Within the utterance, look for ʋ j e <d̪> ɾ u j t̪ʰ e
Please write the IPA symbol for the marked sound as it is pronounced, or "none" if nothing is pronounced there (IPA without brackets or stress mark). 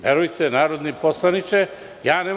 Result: none